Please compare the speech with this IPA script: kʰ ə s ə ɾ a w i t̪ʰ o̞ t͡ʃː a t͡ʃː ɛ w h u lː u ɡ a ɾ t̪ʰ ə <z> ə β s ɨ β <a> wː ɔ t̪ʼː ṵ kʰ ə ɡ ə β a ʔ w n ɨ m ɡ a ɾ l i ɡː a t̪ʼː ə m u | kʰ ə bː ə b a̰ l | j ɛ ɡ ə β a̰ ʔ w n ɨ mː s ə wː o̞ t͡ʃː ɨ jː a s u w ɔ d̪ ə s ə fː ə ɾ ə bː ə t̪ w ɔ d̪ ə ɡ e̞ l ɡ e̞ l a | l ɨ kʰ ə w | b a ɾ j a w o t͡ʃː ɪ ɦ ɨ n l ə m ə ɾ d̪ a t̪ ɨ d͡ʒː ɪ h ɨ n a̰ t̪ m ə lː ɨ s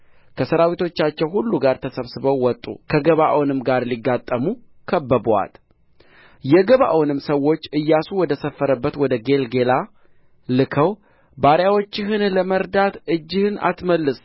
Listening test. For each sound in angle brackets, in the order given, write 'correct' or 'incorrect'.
incorrect: s, incorrect: ə

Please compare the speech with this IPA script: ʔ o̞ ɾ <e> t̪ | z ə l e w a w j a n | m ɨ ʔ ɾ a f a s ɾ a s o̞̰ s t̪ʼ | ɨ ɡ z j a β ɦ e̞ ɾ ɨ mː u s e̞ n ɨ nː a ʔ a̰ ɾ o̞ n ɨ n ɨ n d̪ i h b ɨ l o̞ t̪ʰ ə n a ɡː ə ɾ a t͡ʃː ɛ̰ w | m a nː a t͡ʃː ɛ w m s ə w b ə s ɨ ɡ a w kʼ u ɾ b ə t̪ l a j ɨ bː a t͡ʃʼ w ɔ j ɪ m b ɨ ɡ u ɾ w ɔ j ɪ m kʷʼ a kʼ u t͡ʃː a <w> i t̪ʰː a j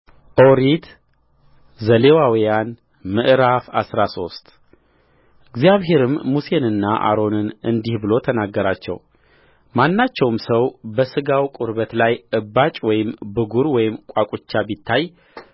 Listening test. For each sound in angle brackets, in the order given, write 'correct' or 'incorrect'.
incorrect: i, incorrect: b

